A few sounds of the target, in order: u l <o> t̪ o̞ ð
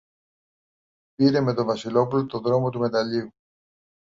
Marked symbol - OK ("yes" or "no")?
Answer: yes